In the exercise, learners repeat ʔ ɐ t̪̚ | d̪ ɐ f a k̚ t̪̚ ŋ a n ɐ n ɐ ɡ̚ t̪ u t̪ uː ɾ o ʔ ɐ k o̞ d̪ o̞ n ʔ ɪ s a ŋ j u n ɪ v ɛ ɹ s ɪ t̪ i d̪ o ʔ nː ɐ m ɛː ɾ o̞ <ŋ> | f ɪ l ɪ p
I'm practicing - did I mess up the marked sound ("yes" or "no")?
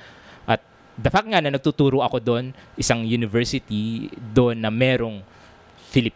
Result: no